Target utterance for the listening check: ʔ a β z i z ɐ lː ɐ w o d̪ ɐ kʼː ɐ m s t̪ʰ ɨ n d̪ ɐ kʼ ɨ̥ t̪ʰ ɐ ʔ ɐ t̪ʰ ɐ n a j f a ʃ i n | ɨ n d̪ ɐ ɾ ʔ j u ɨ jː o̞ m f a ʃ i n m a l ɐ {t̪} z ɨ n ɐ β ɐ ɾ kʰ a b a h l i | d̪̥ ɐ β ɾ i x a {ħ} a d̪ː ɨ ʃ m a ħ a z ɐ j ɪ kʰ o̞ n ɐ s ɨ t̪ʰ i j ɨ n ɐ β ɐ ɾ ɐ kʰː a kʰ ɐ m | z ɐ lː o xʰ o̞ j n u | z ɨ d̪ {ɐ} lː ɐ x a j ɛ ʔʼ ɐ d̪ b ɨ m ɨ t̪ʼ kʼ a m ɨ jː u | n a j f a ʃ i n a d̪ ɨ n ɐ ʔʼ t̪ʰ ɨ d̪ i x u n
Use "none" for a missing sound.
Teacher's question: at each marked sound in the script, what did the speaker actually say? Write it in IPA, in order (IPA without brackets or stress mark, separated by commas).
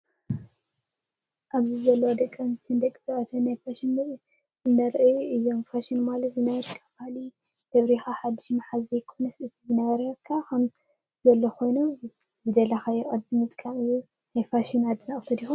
t̪, ħ, ɐ